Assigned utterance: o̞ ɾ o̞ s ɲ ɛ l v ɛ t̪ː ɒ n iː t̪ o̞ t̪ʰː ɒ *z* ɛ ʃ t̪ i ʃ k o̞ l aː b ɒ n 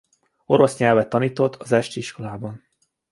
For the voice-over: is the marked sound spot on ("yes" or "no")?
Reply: yes